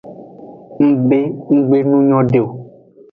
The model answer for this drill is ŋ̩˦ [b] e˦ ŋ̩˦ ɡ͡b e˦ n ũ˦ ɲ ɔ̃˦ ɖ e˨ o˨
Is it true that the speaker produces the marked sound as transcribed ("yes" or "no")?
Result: yes